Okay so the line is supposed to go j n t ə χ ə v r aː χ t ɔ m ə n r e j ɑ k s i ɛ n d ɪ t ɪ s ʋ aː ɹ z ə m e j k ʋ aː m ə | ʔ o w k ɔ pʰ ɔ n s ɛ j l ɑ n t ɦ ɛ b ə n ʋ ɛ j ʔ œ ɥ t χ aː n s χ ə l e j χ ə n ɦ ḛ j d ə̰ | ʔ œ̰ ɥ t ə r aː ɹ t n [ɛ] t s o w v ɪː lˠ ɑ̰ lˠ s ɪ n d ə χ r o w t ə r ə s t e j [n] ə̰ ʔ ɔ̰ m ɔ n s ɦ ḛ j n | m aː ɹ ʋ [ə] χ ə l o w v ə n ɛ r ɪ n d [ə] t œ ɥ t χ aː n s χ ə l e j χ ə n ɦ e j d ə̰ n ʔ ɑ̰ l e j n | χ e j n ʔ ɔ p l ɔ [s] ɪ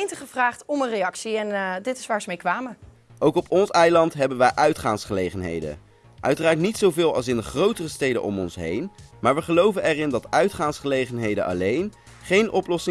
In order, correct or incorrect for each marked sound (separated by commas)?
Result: incorrect, incorrect, correct, incorrect, correct